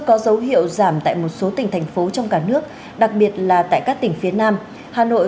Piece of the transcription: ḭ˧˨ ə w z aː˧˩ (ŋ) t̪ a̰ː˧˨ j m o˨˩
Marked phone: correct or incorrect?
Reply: incorrect: m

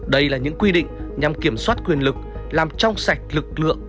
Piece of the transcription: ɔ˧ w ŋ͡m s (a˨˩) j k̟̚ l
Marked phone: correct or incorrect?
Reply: correct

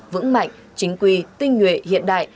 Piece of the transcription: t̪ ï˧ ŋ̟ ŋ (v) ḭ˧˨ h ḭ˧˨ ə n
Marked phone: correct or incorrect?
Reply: incorrect: w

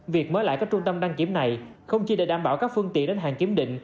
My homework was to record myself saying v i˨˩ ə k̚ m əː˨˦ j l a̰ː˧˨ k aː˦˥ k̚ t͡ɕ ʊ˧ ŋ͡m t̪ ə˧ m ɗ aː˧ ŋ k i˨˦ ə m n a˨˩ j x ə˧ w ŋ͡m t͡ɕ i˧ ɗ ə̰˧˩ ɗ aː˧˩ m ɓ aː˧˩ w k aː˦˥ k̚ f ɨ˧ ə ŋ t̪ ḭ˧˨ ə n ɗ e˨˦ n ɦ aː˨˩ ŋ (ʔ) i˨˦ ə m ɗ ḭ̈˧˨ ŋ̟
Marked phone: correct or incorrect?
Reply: incorrect: k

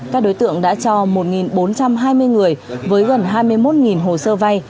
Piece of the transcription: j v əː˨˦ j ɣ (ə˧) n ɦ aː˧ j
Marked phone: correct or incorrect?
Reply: incorrect: ə˨˩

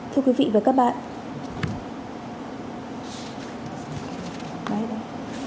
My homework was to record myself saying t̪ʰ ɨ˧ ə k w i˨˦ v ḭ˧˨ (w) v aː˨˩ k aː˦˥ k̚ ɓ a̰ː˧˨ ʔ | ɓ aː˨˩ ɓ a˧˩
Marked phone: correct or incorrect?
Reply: incorrect: none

